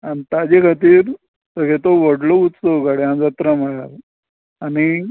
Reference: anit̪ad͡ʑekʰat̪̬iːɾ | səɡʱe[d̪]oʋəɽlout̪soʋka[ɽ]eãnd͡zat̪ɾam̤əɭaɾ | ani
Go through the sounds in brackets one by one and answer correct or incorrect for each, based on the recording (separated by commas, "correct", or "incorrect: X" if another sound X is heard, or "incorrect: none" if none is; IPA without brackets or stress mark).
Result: incorrect: t̪, correct